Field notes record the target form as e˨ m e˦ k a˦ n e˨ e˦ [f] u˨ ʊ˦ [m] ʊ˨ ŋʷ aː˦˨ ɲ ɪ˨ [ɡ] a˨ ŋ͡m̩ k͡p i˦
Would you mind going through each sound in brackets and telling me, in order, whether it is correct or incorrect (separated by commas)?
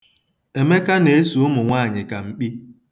incorrect, correct, incorrect